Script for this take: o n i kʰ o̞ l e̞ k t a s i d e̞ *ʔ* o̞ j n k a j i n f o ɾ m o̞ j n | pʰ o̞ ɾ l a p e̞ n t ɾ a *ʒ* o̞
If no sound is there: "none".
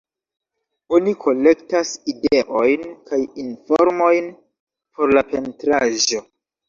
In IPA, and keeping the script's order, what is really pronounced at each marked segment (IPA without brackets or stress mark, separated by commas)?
ʔ, ʒ